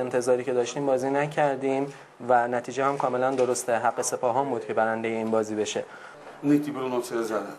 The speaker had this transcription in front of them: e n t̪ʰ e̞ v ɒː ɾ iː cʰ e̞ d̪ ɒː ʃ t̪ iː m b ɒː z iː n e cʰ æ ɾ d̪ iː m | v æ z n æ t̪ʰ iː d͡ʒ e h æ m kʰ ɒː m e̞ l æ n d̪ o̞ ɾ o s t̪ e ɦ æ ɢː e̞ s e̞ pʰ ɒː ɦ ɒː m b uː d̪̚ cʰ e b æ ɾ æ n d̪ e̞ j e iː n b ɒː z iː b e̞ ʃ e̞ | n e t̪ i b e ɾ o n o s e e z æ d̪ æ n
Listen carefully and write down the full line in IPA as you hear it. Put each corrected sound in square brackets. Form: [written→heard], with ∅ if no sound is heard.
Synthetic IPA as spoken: e n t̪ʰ e̞ [v→z] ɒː ɾ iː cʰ e̞ d̪ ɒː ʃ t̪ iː m b ɒː z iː n [e→æ] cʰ æ ɾ d̪ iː m | v æ [z→∅] n æ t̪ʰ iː d͡ʒ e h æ m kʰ ɒː m e̞ l æ n d̪ o̞ ɾ o s t̪ e ɦ æ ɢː e̞ s e̞ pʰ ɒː ɦ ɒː m b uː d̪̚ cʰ e b æ ɾ æ n d̪ e̞ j e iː n b ɒː z iː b e̞ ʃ e̞ | n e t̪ i b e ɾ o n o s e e z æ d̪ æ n